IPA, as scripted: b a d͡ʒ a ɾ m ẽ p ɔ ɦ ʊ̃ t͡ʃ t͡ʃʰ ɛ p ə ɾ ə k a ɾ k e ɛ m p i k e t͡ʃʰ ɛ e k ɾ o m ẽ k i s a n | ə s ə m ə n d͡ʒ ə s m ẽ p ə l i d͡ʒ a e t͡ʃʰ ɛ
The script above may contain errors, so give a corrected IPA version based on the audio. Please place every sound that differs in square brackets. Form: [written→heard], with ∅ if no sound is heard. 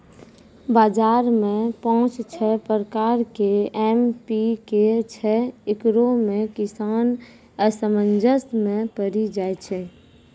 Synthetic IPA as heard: b a d͡ʒ a ɾ m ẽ p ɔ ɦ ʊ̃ t͡ʃ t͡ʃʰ ɛ p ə ɾ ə k a ɾ k e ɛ m p i k e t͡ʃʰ ɛ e k ɾ o m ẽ k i s a n | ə s ə m ə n d͡ʒ ə s m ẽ p ə [l→ɾ] i d͡ʒ a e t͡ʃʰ ɛ